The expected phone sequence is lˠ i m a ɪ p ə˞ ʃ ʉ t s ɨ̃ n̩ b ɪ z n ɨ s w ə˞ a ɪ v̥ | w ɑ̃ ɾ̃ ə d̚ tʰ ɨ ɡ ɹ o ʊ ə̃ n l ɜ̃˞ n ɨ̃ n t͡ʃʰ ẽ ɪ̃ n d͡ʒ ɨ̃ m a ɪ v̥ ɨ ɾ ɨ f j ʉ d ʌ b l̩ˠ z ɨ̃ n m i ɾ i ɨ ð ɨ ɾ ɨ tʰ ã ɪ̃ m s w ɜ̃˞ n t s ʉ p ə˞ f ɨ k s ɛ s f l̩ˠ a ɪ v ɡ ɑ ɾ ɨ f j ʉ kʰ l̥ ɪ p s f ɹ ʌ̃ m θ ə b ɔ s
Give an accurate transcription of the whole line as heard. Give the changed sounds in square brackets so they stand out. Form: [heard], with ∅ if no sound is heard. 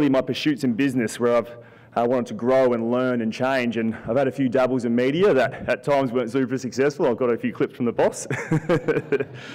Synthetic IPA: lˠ i m a ɪ p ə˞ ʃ ʉ t s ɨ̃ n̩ b ɪ z n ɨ s w ə˞ a ɪ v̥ | w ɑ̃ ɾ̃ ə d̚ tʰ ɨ ɡ ɹ o ʊ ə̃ n l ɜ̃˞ n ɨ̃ n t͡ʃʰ ẽ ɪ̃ n d͡ʒ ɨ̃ [n] a ɪ v̥ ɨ ɾ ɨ f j ʉ d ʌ b l̩ˠ z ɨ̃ n m i ɾ i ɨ ð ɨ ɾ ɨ tʰ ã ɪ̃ m [z] w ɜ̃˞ n t s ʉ p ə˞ [s] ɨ k s ɛ s f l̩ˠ a ɪ v ɡ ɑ ɾ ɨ f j ʉ kʰ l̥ ɪ p s f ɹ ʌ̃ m [ð] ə b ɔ s